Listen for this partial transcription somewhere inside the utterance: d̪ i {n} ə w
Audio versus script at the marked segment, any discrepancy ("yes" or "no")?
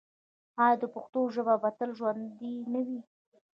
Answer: no